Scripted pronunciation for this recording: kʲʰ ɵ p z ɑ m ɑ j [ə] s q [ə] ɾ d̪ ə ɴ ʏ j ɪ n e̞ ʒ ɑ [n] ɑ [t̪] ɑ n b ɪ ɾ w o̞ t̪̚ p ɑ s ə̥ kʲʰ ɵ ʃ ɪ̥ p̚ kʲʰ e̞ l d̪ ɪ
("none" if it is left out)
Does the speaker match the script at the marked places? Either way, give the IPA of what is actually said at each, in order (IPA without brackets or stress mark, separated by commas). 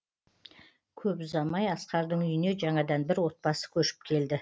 ɑ, ɑ, ɴ, d̪